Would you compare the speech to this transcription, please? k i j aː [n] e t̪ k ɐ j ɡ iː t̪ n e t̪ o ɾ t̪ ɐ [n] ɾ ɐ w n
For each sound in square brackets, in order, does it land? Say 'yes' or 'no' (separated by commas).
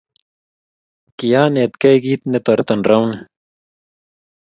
yes, yes